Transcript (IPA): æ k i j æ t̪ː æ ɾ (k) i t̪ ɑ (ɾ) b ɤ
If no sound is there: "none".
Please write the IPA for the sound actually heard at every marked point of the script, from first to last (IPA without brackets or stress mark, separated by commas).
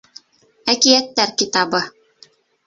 k, none